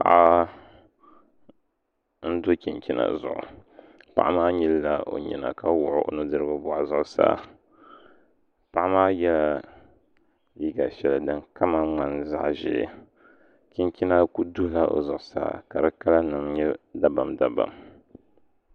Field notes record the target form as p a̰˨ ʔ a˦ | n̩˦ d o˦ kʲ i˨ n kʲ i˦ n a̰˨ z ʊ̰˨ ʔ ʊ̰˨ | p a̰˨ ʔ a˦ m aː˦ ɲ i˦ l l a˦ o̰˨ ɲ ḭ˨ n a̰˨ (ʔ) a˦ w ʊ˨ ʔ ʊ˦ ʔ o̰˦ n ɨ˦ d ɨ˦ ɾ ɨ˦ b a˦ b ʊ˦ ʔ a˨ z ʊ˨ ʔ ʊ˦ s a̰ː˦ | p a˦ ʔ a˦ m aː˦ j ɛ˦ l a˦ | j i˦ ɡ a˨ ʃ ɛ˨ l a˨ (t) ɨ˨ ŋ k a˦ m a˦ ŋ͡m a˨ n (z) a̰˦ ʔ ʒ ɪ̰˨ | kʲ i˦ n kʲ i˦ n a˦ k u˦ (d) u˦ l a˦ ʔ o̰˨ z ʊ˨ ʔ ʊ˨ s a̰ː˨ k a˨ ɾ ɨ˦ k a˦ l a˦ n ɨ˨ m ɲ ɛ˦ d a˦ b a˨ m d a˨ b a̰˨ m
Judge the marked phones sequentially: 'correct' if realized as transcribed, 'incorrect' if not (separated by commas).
incorrect, incorrect, correct, correct